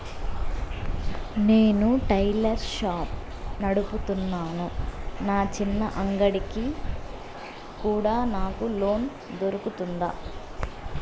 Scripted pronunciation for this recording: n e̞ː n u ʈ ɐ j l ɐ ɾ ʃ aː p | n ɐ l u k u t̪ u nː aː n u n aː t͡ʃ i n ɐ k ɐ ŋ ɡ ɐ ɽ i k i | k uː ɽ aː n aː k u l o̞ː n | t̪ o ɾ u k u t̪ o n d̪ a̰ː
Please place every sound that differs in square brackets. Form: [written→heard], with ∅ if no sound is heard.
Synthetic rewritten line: n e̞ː n u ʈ ɐ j l ɐ ɾ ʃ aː p | n ɐ [l→ɽ] u [k→p] u t̪ u nː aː n u n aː t͡ʃ i [n→nː] ɐ [k→ʔ] ɐ ŋ ɡ ɐ ɽ i k i | k uː ɽ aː n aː k u l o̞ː n | [t̪→d̪] o ɾ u k u t̪ [o→u] n d̪ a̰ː